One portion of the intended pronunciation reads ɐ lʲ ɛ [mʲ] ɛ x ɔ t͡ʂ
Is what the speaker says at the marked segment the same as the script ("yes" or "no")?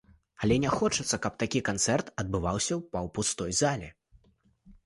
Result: no